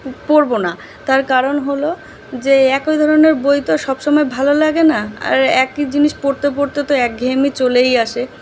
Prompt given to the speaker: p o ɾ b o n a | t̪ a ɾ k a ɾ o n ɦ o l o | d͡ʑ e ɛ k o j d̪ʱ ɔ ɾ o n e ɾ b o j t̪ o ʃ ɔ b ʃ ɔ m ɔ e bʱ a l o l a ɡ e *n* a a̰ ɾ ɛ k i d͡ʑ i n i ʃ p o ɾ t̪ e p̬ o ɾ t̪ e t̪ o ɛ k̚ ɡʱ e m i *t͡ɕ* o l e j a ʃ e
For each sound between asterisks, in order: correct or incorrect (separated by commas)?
correct, correct